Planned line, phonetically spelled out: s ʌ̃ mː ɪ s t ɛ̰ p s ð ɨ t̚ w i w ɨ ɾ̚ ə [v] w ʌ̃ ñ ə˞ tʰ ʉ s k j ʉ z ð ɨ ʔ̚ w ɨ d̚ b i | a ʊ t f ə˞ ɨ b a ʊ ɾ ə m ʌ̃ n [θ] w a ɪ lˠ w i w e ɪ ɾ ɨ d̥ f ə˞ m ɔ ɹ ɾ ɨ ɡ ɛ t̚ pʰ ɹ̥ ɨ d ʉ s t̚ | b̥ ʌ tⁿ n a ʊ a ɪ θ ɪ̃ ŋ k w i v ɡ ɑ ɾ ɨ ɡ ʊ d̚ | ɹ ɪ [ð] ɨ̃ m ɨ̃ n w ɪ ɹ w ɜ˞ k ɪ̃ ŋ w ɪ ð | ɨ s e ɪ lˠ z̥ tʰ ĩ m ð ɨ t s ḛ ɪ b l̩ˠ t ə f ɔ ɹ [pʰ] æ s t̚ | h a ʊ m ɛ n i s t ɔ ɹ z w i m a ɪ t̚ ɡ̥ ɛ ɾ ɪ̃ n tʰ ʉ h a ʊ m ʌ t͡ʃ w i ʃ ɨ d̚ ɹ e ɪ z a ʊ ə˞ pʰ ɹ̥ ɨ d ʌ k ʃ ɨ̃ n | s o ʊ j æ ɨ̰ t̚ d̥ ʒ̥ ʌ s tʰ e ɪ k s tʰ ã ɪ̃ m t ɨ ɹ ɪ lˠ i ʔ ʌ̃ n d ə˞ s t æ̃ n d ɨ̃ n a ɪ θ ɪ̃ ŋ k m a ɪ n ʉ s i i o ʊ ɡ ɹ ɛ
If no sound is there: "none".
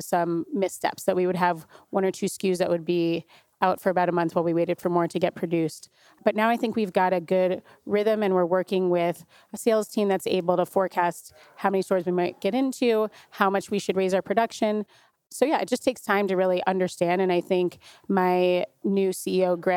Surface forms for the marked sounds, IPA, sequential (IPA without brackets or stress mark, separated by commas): v, θ, ð, kʰ